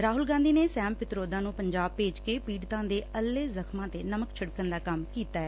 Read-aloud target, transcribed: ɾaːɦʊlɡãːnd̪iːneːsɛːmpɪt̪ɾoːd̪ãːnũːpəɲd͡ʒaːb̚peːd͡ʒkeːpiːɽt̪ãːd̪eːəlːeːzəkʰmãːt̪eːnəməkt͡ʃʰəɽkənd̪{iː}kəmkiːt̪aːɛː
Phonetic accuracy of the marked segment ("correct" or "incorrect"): incorrect